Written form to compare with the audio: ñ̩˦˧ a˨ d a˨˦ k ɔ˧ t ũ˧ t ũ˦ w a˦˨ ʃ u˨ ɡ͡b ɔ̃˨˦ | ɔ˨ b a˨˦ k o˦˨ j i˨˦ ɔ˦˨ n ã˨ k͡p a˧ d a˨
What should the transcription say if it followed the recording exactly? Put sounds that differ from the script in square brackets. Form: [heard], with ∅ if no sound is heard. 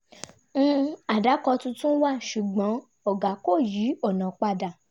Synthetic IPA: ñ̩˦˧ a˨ d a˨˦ k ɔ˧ t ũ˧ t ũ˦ w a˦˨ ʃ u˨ ɡ͡b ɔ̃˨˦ | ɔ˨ [ɡ] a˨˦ k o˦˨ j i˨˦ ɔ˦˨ n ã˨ k͡p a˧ d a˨